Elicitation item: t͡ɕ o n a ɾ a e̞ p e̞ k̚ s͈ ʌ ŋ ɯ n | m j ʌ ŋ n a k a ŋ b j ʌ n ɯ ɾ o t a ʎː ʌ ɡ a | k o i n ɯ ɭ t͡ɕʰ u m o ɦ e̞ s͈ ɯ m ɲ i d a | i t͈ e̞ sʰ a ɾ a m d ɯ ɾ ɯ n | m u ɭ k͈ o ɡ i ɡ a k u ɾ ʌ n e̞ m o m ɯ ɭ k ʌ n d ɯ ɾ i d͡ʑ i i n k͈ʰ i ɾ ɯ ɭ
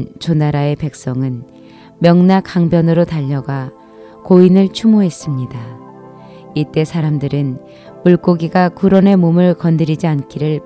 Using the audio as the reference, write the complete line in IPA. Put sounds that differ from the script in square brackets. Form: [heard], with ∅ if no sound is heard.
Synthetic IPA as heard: t͡ɕ o n a ɾ a e̞ p e̞ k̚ s͈ ʌ ŋ ɯ n | m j ʌ ŋ n a k a ŋ b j ʌ n ɯ ɾ o t a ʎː ʌ ɡ a | k o i n ɯ ɭ t͡ɕʰ u m o ɦ e̞ s͈ ɯ m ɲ i d a | i t͈ e̞ sʰ a ɾ a m d ɯ ɾ ɯ n | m u ɭ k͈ o ɡ i ɡ a k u ɾ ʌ n e̞ m o m ɯ ɭ k ʌ n d ɯ ɾ i d͡ʑ i [a] n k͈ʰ i ɾ ɯ ɭ